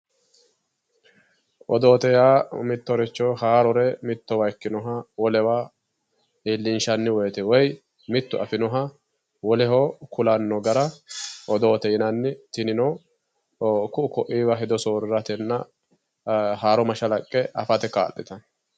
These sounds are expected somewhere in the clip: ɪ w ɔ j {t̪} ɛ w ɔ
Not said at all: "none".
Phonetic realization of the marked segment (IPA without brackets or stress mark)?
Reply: t̪